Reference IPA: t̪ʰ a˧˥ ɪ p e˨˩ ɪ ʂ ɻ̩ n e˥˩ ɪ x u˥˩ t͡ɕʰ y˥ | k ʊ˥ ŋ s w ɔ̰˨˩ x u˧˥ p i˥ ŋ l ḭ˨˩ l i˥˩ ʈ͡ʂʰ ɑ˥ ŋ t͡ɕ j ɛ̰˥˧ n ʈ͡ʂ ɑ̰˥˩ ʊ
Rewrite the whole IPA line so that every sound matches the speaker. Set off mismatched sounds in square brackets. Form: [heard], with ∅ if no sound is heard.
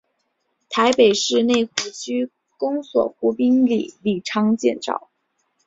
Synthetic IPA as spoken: t̪ʰ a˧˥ ɪ p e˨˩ ɪ ʂ ɻ̩ n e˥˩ ɪ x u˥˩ t͡ɕʰ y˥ | k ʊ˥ ŋ s w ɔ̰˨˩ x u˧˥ p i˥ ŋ l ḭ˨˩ l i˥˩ ʈ͡ʂʰ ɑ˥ ŋ t͡ɕ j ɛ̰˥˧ n ʈ͡ʂ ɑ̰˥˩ ʊ